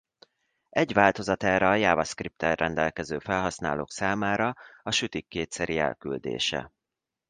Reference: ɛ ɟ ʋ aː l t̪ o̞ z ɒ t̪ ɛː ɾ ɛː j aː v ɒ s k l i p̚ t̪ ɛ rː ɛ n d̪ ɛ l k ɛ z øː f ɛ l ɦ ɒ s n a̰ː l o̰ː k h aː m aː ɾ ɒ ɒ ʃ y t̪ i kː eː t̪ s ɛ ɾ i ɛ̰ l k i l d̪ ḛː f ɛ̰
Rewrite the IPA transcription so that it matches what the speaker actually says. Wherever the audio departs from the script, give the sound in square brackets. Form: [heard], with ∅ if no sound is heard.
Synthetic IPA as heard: ɛ ɟ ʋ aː l t̪ o̞ z ɒ t̪ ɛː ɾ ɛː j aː v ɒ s k [r] i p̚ t̪ ɛ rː ɛ n d̪ ɛ l k ɛ z øː f ɛ l ɦ ɒ s n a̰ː l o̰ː k [s] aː m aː ɾ ɒ ɒ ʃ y t̪ i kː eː t̪ s ɛ ɾ i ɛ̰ l k [y] l d̪ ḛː [ʃ] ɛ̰

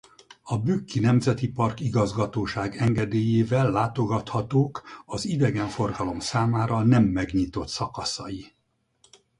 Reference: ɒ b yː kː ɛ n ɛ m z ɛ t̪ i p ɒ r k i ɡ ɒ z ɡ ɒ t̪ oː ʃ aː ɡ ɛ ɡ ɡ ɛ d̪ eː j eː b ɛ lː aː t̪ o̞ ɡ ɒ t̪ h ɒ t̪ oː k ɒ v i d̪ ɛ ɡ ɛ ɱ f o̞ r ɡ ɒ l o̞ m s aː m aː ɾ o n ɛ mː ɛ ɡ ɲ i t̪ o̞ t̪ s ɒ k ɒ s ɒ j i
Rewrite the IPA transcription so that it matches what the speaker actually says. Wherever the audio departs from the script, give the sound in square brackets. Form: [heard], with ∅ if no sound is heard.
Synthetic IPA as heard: ɒ b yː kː [i] n ɛ m z ɛ t̪ i p ɒ r k i ɡ ɒ z ɡ ɒ t̪ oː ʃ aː ɡ ɛ [ŋ] ɡ ɛ d̪ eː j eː [v] ɛ lː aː t̪ o̞ ɡ ɒ t̪ h ɒ t̪ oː k ɒ [z] i d̪ ɛ ɡ ɛ ɱ f o̞ r ɡ ɒ l o̞ m s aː m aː ɾ [ɒ] n ɛ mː ɛ ɡ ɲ i t̪ o̞ t̪ s ɒ k ɒ s ɒ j i

